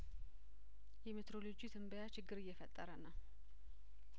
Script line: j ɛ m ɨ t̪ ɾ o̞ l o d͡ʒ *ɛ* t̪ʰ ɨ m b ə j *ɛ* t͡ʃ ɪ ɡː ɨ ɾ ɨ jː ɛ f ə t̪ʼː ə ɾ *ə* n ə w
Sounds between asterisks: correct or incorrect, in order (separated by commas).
incorrect, incorrect, correct